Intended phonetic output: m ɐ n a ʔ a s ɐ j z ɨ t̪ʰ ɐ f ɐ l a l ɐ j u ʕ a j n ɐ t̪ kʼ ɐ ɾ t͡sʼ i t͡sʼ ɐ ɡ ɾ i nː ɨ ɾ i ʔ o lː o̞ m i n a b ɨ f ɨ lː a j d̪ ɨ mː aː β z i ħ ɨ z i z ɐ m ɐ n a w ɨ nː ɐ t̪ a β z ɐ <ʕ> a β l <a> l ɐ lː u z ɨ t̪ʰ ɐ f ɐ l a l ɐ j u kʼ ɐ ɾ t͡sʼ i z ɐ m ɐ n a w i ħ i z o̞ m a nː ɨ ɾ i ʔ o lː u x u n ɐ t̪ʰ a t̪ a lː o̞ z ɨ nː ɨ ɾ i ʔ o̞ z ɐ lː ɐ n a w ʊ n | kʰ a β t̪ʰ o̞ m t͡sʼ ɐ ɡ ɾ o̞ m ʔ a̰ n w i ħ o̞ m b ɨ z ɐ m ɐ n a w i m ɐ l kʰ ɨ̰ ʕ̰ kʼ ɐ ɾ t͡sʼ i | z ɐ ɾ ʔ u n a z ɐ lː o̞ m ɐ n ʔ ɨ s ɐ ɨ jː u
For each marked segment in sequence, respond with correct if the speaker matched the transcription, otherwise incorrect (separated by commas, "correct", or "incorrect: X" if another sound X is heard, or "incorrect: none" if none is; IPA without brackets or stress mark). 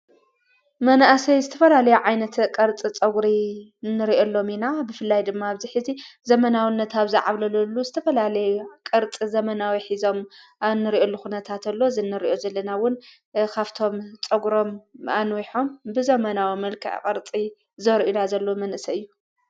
correct, incorrect: ɐ